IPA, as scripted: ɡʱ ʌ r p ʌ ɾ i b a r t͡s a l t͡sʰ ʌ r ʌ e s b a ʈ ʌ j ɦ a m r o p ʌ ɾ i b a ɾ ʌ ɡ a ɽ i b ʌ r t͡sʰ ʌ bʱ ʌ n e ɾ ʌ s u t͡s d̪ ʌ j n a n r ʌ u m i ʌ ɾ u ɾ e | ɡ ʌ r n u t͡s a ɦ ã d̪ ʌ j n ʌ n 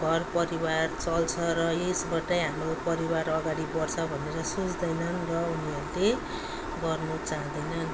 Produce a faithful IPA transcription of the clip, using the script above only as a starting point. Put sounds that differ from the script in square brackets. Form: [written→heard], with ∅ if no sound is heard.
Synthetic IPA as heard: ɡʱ ʌ r p ʌ ɾ i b a r t͡s [a→ʌ] l t͡sʰ ʌ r ʌ e s b a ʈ ʌ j ɦ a m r o p ʌ ɾ i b a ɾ ʌ ɡ a ɽ i b ʌ r t͡sʰ ʌ bʱ ʌ n e ɾ ʌ s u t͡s d̪ ʌ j n [a→ʌ] n r ʌ u [m→n] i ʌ ɾ u [ɾ→l] e | ɡ ʌ r n u t͡s a ɦ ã d̪ ʌ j n ʌ n